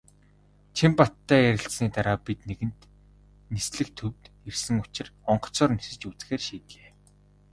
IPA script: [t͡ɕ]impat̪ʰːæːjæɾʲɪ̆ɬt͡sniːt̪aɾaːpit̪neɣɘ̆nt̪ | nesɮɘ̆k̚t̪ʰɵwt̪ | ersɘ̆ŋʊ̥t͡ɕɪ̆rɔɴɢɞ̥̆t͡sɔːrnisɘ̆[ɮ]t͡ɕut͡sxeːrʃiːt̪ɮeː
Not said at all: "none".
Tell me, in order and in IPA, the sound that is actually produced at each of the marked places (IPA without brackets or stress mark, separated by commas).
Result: t͡ɕʰ, none